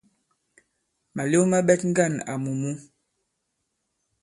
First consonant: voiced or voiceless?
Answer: voiced